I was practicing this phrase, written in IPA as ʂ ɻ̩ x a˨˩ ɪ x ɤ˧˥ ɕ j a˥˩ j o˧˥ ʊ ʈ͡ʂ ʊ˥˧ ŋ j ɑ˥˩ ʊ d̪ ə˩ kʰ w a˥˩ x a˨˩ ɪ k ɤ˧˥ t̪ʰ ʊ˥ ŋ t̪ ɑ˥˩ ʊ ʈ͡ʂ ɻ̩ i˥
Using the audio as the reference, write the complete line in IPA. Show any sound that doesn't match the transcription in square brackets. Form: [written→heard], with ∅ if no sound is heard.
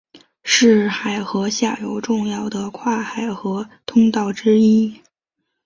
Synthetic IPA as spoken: ʂ ɻ̩ x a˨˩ ɪ x ɤ˧˥ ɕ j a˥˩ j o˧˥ ʊ ʈ͡ʂ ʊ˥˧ ŋ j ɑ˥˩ ʊ d̪ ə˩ kʰ w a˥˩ x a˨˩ ɪ [k→x] ɤ˧˥ t̪ʰ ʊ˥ ŋ t̪ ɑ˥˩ ʊ ʈ͡ʂ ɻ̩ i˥